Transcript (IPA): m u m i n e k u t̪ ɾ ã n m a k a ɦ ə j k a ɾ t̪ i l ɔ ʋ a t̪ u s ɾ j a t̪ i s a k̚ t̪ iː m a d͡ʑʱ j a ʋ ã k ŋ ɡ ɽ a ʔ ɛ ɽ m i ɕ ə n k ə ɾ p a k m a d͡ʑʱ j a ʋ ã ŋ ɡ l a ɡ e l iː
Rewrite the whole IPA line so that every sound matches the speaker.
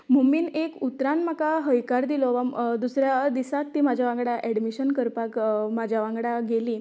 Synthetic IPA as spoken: m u m i n e k u t̪ ɾ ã n m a k a ɦ ə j k a ɾ d̪ i l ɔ ʋ a d̪ u s ɾ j a d̪ i s a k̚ t̪ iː m a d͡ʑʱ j a ʋ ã ŋ ɡ ɽ a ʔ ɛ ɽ m i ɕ ə n k ə ɾ p a k m a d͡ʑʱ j a ʋ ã ŋ ɡ ɽ a ɡ e l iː